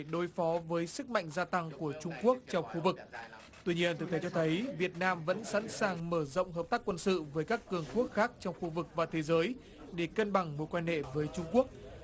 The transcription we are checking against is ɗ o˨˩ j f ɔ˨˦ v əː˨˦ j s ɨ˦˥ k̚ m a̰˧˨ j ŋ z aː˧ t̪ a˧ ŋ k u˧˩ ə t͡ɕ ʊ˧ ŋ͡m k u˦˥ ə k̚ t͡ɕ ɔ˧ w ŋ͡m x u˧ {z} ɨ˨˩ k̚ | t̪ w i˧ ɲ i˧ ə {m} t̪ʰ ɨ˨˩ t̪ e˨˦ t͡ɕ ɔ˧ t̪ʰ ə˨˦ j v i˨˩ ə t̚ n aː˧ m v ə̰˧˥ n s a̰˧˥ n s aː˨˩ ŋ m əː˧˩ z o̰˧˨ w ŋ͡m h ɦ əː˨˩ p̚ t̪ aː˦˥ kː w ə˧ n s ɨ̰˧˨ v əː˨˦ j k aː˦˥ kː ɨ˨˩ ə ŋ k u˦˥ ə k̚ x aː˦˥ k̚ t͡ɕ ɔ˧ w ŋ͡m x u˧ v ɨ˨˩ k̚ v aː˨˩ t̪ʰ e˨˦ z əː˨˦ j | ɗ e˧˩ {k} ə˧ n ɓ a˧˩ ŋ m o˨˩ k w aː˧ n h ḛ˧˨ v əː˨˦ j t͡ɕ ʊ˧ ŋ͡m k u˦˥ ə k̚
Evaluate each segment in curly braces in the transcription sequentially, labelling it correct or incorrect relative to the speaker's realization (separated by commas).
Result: incorrect, incorrect, correct